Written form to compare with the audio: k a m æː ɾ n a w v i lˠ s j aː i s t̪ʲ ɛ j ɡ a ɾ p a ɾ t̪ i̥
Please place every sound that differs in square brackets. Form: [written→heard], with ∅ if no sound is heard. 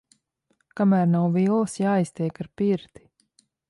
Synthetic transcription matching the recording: k a m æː ɾ n a w v i lˠ s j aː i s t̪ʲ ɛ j [ɡ→k] a ɾ p [a→i] ɾ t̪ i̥